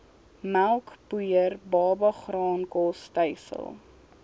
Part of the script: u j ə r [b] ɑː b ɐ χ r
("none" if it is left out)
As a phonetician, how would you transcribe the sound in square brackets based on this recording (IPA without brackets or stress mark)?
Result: b